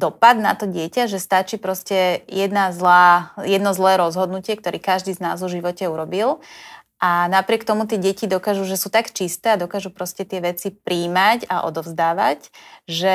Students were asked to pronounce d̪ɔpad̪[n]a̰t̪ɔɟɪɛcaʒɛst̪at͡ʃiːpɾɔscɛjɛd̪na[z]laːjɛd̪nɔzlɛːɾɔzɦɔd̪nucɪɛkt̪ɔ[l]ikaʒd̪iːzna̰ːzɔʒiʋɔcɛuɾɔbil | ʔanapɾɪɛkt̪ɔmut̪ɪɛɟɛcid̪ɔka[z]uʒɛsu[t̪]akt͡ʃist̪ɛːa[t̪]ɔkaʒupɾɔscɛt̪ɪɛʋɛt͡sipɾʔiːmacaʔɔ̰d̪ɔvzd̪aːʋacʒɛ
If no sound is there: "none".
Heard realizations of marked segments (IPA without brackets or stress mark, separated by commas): n, z, ɾ, ʒ, t̪, d̪